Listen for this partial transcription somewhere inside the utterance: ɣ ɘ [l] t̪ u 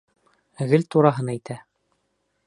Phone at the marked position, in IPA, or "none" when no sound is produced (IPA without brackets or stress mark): l